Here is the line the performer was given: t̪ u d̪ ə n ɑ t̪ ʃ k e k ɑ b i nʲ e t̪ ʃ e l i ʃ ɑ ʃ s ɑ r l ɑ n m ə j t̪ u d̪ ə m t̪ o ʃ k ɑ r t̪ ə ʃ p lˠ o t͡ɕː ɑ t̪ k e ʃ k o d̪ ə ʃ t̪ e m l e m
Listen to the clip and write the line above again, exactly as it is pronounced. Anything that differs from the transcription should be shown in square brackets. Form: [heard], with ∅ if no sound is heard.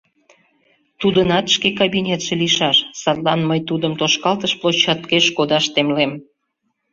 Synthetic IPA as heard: t̪ u d̪ ə n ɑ t̪ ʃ k e k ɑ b i nʲ e t̪ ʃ e l i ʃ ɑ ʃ s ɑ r l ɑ n m ə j t̪ u d̪ ə m t̪ o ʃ k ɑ [l] t̪ ə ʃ p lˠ o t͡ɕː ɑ t̪ k e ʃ k o d̪ [ɑ] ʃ t̪ e m l e m

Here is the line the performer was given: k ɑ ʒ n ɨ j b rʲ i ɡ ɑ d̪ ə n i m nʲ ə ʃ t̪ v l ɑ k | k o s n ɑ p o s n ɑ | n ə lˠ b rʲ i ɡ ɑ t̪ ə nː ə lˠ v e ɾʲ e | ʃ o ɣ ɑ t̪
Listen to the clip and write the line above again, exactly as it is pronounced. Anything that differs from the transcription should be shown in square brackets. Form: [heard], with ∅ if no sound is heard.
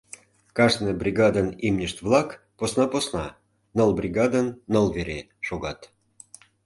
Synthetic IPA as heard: k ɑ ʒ n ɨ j b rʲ i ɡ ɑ d̪ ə n i m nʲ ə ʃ t̪ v l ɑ k | [p] o s n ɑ p o s n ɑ | n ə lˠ b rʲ i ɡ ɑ [d̪] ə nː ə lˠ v e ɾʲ e | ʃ o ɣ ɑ t̪

